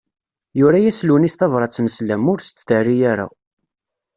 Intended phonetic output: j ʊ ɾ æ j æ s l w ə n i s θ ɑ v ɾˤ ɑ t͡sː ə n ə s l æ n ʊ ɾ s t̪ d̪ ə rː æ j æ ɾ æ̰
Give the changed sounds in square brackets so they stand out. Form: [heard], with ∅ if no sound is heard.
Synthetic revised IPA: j ʊ ɾ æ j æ s l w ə n i s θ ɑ v ɾˤ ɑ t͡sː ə n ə s l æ [m] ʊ ɾ s t̪ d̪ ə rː [i] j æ ɾ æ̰